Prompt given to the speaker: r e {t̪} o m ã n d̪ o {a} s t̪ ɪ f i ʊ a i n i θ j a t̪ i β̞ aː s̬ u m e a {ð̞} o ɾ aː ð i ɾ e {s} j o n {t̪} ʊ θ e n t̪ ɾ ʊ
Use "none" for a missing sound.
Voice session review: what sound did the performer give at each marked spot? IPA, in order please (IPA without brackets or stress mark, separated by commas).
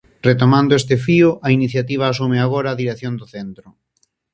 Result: t̪, e, ɣ̞, θ, d̪